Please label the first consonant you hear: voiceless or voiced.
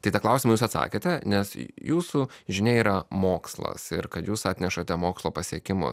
voiceless